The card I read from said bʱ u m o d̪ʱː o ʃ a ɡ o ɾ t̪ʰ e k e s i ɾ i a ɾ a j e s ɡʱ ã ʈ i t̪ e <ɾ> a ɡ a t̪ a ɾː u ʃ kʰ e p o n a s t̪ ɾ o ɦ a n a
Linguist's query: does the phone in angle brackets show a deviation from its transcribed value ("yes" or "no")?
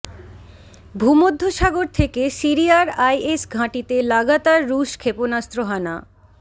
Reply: yes